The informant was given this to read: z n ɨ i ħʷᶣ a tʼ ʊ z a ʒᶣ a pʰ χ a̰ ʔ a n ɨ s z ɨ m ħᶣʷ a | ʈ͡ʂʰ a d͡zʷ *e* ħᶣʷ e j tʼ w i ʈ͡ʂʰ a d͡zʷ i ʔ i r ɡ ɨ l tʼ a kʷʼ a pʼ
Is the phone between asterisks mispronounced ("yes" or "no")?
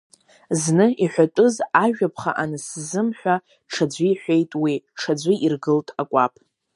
yes